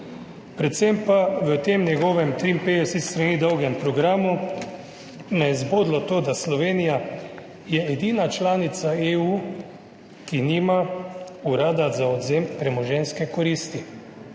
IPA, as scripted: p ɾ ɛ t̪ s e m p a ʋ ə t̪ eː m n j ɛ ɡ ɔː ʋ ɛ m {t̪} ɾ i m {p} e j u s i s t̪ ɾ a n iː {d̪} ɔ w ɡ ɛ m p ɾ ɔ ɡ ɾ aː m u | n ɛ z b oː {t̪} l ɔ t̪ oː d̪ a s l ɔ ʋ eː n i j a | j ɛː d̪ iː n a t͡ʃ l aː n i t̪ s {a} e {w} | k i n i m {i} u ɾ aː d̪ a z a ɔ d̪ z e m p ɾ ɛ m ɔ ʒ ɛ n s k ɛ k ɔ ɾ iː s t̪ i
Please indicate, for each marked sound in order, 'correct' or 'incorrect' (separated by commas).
correct, correct, correct, incorrect, correct, incorrect, incorrect